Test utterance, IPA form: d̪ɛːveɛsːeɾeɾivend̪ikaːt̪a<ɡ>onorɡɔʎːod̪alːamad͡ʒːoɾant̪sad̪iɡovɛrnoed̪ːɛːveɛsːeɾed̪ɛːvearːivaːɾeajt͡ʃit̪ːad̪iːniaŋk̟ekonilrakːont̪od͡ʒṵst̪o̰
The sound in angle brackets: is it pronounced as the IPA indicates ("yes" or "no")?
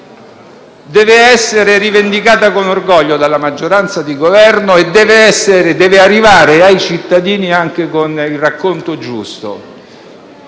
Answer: no